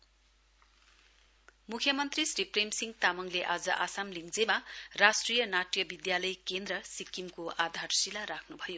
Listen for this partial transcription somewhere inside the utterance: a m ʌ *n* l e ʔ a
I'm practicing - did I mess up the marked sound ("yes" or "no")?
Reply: yes